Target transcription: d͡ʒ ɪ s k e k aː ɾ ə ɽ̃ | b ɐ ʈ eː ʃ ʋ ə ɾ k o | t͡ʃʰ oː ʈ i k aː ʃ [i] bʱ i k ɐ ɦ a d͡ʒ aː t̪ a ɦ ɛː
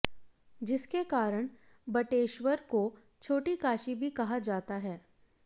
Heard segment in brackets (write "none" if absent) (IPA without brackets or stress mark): i